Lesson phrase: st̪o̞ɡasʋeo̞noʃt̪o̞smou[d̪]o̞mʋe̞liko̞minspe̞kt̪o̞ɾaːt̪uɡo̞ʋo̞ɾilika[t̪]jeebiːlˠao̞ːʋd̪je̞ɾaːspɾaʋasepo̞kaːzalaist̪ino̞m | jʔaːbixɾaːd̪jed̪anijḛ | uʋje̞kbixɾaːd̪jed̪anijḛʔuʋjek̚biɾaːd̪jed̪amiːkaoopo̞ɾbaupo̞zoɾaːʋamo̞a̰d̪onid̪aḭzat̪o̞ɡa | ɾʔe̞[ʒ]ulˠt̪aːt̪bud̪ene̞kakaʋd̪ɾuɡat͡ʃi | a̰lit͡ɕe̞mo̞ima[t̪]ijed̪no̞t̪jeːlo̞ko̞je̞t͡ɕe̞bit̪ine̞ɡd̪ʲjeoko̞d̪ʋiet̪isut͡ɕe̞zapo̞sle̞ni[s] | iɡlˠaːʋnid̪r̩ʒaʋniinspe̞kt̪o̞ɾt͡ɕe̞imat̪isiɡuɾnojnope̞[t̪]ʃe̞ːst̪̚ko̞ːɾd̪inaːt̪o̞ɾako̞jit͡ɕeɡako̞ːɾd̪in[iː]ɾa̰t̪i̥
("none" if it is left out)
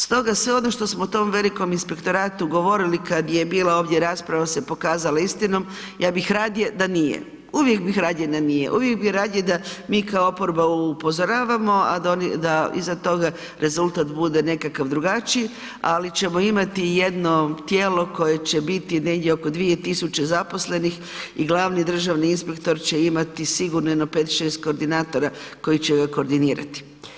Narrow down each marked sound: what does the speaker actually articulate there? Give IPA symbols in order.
t̪, d̪, z, t̪, x, t̪, iː

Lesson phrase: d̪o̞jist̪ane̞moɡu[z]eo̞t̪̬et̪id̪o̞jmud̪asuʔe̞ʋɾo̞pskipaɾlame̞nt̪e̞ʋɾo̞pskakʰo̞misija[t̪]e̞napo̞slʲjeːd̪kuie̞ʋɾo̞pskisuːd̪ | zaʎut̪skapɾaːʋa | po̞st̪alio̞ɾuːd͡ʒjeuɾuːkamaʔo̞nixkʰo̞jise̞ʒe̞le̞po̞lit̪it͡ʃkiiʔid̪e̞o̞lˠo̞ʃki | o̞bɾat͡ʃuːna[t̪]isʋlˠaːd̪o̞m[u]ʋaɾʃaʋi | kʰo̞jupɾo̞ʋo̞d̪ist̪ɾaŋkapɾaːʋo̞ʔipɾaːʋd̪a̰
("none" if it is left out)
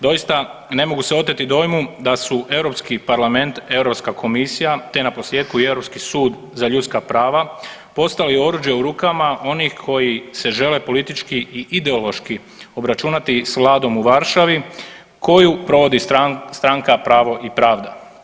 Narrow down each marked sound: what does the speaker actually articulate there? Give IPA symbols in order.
s, t̪, t̪, u

